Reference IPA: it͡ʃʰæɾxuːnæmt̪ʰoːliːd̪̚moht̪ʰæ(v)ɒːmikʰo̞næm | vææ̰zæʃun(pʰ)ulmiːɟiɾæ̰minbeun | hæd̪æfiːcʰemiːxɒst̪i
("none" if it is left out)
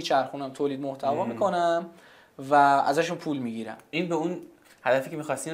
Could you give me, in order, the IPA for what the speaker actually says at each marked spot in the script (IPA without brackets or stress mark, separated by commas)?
v, pʰ